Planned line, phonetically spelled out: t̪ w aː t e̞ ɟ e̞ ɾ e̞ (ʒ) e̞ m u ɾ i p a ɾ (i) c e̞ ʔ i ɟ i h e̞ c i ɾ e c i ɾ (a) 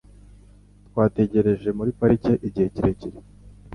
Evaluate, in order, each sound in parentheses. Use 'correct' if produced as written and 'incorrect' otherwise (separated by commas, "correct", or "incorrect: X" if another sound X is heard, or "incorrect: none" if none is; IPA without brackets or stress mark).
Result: correct, correct, incorrect: e